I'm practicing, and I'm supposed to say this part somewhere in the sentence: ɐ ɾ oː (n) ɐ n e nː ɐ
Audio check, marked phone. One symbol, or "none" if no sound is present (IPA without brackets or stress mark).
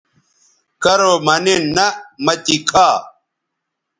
m